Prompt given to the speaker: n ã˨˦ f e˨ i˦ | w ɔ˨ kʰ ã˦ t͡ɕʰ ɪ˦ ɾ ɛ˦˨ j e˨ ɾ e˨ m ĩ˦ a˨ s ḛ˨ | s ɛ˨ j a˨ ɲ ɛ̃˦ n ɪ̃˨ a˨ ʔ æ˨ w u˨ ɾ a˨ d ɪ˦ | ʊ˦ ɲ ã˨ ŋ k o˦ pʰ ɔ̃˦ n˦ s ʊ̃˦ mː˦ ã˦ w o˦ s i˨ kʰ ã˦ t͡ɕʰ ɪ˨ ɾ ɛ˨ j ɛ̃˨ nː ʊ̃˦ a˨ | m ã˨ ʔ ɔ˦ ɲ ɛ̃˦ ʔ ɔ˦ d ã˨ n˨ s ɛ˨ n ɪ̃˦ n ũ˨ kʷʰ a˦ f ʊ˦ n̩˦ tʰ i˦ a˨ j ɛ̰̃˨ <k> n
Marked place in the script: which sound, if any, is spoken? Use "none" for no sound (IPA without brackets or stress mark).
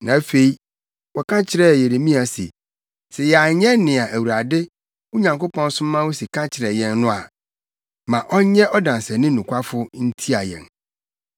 none